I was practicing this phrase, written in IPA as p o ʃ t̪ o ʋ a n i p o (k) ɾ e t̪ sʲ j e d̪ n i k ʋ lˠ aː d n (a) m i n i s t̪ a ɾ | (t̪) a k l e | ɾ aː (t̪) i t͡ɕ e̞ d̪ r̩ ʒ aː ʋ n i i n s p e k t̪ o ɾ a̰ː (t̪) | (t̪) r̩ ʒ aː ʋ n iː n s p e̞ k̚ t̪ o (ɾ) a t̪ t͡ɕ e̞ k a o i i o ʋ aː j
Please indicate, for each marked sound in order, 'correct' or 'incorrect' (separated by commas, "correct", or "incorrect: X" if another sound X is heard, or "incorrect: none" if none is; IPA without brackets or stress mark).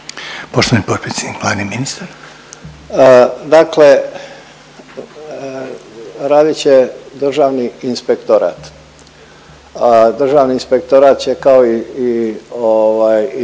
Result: incorrect: p, incorrect: i, incorrect: d̪, incorrect: d̪, correct, incorrect: d̪, correct